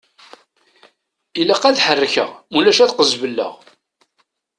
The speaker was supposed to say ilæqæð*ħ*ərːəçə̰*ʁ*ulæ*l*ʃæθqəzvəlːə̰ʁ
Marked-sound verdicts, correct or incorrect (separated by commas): correct, correct, incorrect